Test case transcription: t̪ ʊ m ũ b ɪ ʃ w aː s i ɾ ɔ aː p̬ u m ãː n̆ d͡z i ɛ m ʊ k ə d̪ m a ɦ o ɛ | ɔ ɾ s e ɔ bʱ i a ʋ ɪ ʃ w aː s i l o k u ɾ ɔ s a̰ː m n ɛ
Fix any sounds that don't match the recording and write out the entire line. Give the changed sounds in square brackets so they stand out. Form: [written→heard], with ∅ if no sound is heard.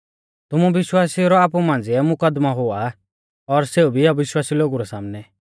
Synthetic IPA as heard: t̪ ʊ m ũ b ɪ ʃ w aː s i ɾ ɔ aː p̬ u m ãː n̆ d͡z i ɛ m ʊ k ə d̪ m a ɦ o [ɛ→a] | ɔ ɾ s e [ɔ→u] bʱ i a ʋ ɪ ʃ w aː s i l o [k→ɡ] u ɾ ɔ s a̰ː m n ɛ